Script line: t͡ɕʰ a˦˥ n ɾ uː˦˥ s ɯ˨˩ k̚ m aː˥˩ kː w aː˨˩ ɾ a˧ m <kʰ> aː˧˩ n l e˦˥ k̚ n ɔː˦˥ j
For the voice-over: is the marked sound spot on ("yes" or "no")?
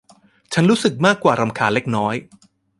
yes